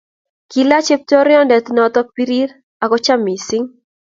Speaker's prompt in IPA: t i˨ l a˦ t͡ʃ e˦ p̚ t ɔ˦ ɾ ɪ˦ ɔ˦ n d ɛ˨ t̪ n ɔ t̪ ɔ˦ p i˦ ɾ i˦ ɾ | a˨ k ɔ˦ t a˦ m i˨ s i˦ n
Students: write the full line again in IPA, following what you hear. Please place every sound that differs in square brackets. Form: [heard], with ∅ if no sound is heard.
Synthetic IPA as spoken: [k] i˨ l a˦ t͡ʃ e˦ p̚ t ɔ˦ ɾ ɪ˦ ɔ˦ n d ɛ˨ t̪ n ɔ t̪ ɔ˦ p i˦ ɾ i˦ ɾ | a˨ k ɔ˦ [t͡ʃ] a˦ m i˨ s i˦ [ŋ]

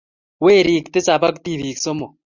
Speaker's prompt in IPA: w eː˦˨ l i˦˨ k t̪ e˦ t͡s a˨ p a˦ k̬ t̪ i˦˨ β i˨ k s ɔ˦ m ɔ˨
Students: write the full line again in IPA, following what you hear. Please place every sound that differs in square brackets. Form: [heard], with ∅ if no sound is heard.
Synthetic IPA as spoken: w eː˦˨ [ɾ] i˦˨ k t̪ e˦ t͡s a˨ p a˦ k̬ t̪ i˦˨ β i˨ k s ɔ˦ m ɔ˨

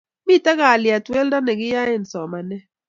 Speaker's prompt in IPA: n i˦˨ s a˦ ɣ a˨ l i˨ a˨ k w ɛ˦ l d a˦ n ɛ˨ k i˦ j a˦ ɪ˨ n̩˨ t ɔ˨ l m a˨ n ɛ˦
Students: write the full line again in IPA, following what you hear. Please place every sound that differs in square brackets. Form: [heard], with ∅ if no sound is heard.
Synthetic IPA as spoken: [m] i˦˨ [t] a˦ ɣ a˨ l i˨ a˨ [t] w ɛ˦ l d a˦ n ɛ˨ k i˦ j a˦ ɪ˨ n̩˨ [s] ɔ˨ [∅] m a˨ n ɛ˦

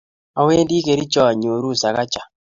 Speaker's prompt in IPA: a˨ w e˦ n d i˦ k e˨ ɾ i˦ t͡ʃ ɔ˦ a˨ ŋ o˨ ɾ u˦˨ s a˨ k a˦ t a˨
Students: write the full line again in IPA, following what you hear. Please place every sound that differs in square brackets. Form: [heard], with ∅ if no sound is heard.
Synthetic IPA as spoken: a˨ w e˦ n d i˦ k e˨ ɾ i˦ t͡ʃ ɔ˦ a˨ [ɲ] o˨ ɾ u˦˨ s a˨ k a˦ [t͡ʃ] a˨

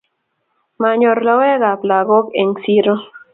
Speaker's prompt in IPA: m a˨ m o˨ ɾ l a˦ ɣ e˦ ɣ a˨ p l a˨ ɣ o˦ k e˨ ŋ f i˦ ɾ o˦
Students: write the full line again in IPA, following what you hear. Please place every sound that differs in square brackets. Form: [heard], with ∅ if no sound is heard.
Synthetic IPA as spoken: m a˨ [ɲ] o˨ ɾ l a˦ [w] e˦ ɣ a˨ p l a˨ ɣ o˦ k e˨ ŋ [s] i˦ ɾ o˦

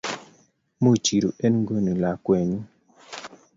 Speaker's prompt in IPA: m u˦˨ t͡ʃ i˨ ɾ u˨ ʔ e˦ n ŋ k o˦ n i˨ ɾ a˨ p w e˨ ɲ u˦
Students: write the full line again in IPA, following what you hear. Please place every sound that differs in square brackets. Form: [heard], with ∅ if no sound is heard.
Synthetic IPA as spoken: m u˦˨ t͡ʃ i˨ ɾ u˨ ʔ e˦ n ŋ [ɡ] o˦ n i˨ [l] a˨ [k] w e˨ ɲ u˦

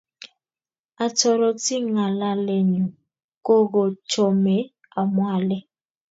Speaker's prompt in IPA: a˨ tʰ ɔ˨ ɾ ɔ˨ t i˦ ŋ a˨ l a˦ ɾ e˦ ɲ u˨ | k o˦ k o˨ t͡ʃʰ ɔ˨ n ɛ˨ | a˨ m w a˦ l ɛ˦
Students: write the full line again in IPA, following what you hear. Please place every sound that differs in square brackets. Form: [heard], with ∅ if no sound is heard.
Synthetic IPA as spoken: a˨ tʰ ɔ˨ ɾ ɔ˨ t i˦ ŋ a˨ l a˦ [l] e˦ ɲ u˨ | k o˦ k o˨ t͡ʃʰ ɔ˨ [m] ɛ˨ | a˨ m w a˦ l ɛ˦

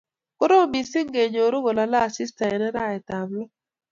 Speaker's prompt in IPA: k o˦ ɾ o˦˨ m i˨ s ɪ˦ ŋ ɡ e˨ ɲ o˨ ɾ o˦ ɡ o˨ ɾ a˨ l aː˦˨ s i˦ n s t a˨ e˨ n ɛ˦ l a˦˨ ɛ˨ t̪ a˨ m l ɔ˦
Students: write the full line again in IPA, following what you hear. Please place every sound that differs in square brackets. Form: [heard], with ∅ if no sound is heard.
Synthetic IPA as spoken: k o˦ ɾ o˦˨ m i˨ s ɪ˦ ŋ ɡ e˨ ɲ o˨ ɾ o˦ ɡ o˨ [l] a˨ l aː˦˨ s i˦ [∅] s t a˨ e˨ n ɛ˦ [ɾ] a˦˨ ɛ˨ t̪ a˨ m l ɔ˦

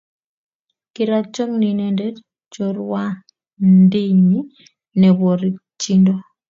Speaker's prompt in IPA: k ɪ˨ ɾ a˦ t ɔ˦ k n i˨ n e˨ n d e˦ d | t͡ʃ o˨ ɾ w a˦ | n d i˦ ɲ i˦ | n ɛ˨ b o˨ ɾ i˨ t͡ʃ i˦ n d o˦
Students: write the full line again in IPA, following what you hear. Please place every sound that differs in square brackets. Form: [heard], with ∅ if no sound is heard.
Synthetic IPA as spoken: k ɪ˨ ɾ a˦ [t͡ʃ] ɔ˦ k n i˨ n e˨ n d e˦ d | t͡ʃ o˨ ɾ w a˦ | n d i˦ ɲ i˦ | n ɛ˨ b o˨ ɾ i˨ t͡ʃ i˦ n d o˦

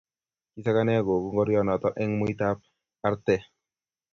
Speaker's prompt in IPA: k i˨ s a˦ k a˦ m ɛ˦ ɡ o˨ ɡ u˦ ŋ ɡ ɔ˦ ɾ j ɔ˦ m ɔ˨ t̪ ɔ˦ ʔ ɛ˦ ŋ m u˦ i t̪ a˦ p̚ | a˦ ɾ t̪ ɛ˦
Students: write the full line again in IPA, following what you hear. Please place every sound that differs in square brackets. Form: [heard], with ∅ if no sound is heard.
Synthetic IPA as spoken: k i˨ s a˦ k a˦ [n] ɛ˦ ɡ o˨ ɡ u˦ ŋ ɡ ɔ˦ ɾ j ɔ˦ [n] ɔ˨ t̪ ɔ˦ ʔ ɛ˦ ŋ m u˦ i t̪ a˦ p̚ | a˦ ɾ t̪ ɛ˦

